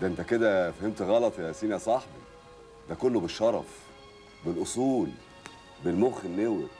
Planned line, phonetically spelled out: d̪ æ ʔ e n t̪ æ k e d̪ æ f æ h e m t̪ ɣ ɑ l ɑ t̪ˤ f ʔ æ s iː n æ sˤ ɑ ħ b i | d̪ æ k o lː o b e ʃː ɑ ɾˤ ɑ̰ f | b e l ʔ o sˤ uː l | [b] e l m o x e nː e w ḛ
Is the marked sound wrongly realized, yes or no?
no